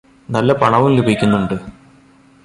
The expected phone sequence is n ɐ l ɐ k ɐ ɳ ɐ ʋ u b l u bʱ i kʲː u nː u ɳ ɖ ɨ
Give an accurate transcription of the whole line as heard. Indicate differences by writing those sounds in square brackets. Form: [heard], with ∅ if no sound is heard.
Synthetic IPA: n ɐ [lː] ɐ [p] ɐ ɳ ɐ ʋ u [m] l u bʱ i kʲː u nː u ɳ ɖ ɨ